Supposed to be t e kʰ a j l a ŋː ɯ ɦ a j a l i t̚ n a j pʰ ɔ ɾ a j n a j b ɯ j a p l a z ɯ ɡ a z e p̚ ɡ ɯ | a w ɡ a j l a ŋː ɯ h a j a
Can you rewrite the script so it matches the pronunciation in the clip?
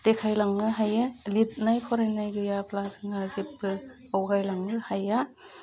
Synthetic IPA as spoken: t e kʰ a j l a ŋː ɯ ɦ a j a l i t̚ n a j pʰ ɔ ɾ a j n a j ɡ ɯ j a p l a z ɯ ŋ a z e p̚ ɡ ɯ | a w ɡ a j l a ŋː ɯ h a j a